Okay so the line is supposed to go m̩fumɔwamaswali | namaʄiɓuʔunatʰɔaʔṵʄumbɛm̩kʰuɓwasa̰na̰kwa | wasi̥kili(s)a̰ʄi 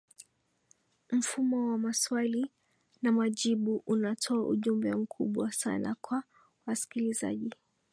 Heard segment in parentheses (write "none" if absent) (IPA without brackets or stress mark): z